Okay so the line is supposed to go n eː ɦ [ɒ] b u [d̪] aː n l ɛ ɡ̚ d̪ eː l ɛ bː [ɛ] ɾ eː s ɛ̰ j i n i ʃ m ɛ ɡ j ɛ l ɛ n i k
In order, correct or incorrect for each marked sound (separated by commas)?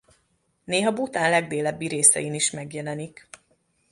correct, incorrect, incorrect